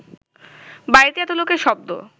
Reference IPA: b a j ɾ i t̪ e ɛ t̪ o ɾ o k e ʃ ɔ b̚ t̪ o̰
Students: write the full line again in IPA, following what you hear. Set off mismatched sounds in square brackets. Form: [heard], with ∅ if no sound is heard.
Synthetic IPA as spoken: b a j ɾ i t̪ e ɛ t̪ o [l] o k e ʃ ɔ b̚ [d̪] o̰